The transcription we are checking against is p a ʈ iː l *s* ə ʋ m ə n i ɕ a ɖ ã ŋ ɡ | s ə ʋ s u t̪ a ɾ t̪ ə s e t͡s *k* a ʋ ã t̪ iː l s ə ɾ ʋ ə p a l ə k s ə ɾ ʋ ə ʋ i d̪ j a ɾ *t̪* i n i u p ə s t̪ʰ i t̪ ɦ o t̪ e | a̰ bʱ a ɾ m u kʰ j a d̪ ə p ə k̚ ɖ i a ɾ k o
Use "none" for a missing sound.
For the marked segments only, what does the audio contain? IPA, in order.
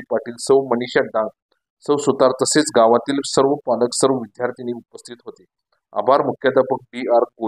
s, ɡ, t̪

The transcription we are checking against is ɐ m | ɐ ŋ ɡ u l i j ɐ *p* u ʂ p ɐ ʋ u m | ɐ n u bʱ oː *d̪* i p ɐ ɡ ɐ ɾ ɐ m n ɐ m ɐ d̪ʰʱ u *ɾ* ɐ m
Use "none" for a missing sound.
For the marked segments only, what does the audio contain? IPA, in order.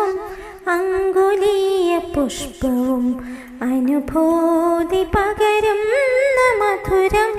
p, d̪, ɾ

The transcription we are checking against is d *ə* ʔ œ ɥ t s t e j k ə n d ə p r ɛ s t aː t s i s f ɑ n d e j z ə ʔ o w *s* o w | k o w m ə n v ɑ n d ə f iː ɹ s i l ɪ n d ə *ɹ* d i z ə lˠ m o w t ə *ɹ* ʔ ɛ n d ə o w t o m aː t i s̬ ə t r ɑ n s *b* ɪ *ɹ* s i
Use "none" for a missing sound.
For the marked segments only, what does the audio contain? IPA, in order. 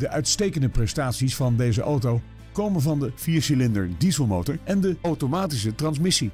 ə, t, ɹ, ɹ, m, none

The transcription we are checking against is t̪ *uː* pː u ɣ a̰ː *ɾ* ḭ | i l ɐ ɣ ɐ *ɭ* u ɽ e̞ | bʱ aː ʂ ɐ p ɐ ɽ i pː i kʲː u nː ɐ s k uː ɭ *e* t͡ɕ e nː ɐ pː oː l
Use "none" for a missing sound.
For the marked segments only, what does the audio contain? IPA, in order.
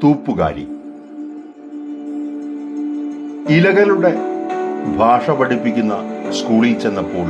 uː, ɾ, l, i

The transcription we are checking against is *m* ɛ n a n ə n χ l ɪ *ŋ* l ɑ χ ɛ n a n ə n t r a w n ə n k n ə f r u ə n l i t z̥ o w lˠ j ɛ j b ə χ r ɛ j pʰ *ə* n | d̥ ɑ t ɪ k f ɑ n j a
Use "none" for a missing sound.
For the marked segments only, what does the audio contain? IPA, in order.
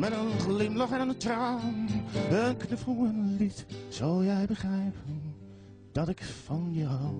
m, m, ə

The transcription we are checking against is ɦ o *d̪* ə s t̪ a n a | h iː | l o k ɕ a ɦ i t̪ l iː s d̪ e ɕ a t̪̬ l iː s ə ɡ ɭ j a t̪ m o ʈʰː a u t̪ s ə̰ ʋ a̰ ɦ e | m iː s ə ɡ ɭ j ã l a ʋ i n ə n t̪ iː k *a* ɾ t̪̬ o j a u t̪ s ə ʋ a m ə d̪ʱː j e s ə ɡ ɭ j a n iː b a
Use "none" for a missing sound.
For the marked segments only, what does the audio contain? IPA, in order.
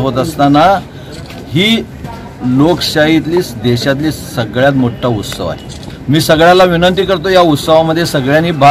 t̪, ə

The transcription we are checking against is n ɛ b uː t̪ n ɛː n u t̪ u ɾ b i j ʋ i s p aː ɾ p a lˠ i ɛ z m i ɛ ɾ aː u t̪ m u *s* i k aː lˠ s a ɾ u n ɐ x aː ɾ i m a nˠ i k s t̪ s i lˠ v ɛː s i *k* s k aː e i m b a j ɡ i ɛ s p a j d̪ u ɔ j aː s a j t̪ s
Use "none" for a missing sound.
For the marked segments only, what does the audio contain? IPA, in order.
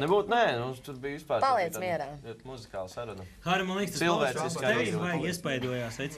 z, none

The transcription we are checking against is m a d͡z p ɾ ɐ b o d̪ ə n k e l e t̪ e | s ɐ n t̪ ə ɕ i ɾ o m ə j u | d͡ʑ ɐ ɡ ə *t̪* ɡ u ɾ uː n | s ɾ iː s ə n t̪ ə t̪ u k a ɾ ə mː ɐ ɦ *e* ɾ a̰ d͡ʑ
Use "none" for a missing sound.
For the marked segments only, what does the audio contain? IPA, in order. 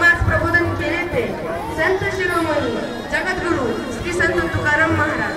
t̪, a

